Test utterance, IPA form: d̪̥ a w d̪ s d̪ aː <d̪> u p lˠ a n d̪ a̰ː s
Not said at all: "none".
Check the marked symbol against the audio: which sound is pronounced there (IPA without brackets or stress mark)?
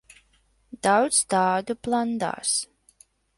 d̪